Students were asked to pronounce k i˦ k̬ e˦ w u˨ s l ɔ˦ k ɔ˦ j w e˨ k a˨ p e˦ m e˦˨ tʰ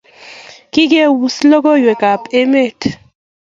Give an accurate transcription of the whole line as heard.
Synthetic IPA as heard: k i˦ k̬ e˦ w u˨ s l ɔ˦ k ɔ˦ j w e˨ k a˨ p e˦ m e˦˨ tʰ